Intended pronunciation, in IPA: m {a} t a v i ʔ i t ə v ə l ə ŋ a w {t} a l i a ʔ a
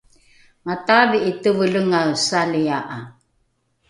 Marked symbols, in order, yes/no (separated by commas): yes, no